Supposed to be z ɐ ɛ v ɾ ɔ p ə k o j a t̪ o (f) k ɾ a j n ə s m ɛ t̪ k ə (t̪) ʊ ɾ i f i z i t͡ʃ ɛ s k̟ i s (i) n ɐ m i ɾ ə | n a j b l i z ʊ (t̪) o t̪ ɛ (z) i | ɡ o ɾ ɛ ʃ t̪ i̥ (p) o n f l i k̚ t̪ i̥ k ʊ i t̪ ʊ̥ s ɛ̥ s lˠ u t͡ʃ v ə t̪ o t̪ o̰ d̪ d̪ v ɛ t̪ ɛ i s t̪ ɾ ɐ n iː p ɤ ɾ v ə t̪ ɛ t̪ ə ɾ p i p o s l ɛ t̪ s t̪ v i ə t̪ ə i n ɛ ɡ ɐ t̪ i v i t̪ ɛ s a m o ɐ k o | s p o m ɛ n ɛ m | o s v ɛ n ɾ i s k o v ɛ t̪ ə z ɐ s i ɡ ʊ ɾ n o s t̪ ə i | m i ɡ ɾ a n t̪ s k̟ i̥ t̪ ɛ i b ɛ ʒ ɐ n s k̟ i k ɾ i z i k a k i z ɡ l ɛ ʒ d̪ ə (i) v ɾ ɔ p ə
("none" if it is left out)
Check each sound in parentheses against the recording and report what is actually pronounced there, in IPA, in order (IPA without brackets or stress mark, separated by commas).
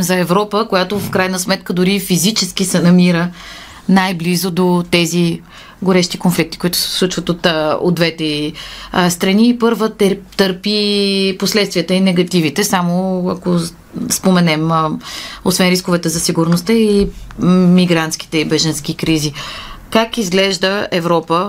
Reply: f, d̪, ɛ, d̪, z, k, ɛ